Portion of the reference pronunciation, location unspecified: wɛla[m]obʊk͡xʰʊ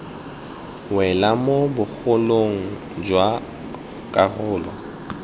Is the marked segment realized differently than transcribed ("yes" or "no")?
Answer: no